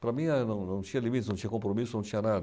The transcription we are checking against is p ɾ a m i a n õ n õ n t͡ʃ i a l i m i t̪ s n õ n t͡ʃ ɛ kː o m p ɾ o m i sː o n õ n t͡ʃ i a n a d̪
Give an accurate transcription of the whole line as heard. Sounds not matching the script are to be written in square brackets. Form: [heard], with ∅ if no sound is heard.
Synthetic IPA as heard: p ɾ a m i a n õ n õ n t͡ʃ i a l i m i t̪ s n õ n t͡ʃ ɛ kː o m p ɾ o m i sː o n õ n t͡ʃ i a n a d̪